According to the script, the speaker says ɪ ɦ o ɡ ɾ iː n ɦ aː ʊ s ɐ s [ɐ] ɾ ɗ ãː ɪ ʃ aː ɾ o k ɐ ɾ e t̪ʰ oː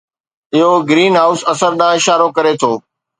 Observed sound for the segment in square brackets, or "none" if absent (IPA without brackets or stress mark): ə